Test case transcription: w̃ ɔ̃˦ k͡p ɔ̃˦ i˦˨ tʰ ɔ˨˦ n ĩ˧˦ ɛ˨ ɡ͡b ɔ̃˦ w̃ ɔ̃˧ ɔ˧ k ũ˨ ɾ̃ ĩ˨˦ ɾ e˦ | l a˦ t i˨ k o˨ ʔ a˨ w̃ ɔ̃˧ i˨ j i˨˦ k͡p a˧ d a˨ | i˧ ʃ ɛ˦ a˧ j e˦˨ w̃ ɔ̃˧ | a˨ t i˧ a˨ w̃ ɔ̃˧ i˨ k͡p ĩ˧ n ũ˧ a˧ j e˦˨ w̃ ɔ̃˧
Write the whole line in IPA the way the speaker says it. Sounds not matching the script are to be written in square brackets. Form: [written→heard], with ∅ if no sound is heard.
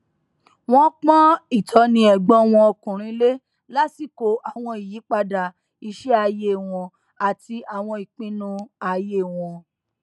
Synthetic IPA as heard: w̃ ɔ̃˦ k͡p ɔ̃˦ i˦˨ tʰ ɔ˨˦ n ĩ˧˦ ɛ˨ ɡ͡b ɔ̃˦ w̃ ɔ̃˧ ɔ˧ k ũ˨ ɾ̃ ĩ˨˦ [ɾ→l] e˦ | l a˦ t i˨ k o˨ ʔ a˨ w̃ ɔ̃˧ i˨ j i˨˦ k͡p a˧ d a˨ | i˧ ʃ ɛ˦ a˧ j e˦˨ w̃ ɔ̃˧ | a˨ t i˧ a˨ w̃ ɔ̃˧ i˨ k͡p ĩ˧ n ũ˧ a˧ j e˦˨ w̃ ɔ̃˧

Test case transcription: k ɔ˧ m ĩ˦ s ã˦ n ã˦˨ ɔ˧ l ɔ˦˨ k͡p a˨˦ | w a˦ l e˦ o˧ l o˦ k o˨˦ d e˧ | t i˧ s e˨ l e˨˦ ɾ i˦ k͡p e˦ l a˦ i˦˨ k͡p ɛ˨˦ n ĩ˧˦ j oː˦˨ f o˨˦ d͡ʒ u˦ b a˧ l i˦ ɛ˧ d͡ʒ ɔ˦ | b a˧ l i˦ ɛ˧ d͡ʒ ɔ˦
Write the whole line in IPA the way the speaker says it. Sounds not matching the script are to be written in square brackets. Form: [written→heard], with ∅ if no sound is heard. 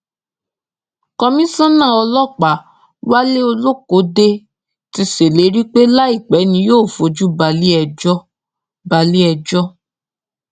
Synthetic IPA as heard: k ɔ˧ m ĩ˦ s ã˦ n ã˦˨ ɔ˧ l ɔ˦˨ k͡p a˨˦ | w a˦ l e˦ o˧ l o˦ k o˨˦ d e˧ | t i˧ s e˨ l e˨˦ ɾ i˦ k͡p e˦ l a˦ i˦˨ k͡p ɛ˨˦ n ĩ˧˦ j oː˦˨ f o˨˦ d͡ʒ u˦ b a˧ l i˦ ɛ˧ d͡ʒ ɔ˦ | b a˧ l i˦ ɛ˧ d͡ʒ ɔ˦

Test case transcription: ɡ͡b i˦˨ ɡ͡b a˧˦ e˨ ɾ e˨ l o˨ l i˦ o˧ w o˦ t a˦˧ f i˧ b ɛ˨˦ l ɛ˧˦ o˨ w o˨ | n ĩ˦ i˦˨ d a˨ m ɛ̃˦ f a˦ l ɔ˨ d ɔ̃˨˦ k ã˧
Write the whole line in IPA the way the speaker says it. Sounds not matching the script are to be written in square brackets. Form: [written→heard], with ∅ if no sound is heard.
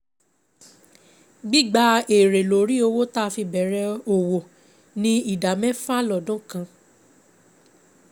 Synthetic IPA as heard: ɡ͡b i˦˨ ɡ͡b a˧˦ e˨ ɾ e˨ l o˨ [l→ɾ] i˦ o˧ w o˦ t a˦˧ f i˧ b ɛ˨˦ [l→ɾ] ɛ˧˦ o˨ w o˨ | n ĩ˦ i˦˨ d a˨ m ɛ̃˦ f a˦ l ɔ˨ d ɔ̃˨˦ k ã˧

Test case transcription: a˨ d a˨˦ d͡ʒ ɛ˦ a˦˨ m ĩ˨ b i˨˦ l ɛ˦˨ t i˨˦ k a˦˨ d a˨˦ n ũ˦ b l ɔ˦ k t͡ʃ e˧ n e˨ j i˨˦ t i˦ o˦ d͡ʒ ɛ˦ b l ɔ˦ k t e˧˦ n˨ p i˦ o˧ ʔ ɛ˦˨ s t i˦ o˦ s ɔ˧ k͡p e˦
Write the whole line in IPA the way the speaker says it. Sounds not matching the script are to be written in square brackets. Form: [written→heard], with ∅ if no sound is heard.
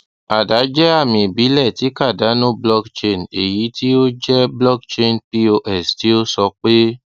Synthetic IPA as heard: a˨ d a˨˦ d͡ʒ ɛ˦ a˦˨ m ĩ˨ b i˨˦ l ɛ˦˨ t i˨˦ k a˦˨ d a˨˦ n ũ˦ b l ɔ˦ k t͡ʃ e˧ n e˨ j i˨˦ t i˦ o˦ d͡ʒ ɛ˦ b l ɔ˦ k [t→t͡ʃ] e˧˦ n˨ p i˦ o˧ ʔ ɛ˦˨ s t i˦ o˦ s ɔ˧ k͡p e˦

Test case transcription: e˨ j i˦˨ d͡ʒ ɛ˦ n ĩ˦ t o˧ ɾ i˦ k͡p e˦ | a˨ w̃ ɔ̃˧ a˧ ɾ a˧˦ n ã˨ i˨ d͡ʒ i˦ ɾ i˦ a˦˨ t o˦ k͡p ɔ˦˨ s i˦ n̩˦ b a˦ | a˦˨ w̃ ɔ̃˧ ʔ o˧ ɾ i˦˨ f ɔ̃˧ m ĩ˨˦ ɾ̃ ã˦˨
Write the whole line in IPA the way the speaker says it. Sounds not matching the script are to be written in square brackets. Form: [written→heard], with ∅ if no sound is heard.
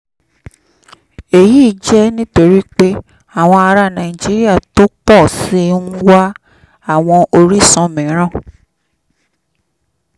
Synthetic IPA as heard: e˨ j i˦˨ d͡ʒ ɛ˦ n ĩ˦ t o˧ ɾ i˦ k͡p e˦ | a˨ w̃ ɔ̃˧ a˧ ɾ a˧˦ n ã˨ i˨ d͡ʒ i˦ ɾ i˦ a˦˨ t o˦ k͡p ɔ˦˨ s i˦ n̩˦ [b→w] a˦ | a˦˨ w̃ ɔ̃˧ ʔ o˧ ɾ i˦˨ [f→s] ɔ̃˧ m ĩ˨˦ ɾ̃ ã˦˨

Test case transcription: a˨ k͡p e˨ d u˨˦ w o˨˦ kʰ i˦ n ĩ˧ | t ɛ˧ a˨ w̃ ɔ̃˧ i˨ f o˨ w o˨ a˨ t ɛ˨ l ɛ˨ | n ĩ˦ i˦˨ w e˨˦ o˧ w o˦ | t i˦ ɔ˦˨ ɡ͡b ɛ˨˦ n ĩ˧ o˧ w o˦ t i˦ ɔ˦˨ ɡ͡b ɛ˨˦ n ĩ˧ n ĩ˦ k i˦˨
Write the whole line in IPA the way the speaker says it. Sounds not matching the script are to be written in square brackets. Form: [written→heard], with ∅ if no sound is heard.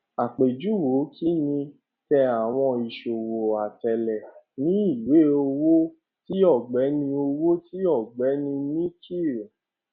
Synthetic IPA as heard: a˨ k͡p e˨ [d→d͡ʒ] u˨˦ w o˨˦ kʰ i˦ n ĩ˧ | t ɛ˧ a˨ w̃ ɔ̃˧ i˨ [f→ʃ] o˨ w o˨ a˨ t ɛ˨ l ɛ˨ | n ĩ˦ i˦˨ w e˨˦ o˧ w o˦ | t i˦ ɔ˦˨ ɡ͡b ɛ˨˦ n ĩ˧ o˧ w o˦ t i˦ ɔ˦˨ ɡ͡b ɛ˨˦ n ĩ˧ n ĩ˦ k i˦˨

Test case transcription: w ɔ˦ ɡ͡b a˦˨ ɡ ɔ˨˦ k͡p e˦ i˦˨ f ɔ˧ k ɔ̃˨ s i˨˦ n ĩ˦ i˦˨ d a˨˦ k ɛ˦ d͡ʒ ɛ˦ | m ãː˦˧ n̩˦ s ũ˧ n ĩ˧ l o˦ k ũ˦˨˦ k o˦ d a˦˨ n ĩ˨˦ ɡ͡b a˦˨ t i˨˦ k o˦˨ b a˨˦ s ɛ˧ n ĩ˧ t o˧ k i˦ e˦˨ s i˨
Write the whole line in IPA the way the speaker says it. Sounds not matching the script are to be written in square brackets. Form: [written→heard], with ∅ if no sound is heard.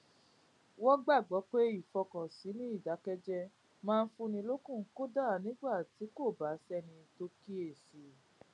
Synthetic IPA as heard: w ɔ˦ ɡ͡b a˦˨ [ɡ→ɡ͡b] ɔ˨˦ k͡p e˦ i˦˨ f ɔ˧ k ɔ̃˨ s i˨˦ n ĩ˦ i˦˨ d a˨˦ k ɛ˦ d͡ʒ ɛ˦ | m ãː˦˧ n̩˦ [s→f] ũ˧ n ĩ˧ l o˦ k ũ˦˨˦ k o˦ d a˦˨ n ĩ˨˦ ɡ͡b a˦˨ t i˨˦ k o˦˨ b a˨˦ s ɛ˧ n ĩ˧ t o˧ k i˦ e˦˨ s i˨

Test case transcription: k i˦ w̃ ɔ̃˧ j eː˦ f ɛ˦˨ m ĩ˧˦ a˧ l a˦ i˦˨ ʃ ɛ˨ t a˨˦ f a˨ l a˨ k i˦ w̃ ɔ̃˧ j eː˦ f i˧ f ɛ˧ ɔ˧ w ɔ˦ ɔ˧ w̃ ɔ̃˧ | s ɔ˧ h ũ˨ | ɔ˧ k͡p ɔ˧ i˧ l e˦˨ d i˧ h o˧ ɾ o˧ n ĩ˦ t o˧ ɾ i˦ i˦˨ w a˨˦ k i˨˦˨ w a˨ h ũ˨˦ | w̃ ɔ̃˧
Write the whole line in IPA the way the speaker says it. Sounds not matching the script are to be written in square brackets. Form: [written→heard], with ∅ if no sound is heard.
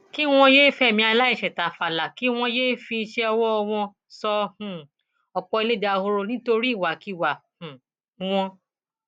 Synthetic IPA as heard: k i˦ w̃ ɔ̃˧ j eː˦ f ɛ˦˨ m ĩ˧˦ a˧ l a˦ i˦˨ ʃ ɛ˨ t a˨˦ f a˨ l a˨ k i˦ w̃ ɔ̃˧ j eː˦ f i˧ [f→ʃ] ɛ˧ ɔ˧ w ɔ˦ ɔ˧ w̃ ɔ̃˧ | s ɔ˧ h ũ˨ | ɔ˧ k͡p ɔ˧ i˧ l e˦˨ d [i˧→a˧] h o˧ ɾ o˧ n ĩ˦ t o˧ ɾ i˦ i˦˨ w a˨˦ k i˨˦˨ w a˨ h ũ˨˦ | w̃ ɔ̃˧

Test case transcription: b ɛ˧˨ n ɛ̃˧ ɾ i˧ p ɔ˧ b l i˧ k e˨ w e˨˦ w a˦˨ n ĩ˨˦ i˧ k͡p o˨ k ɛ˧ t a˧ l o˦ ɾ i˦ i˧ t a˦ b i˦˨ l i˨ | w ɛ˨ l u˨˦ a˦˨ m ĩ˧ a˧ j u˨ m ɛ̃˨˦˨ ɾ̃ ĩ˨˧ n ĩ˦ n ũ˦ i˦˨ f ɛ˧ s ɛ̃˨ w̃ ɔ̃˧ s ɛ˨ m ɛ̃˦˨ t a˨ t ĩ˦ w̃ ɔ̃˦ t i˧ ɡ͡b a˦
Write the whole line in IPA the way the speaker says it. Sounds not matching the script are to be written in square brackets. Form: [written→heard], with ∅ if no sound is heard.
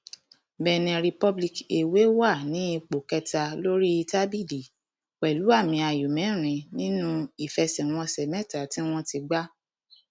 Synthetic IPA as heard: b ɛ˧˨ n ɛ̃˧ ɾ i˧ p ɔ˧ b l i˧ k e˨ w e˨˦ w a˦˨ n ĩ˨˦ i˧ k͡p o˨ k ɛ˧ t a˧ l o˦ ɾ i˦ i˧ t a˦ b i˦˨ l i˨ | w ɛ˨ l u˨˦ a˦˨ m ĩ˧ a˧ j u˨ m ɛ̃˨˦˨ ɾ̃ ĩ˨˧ n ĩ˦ n ũ˦ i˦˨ f ɛ˧ s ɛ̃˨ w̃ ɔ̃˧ s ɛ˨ m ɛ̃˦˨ t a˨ t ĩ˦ w̃ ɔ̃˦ t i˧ ɡ͡b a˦

